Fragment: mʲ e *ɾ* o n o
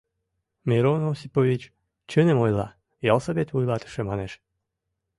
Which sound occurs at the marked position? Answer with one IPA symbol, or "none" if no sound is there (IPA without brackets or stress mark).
ɾ